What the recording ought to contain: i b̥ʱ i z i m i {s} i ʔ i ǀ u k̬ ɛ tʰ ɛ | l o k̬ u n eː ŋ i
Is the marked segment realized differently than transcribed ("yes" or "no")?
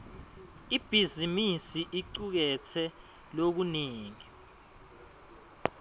no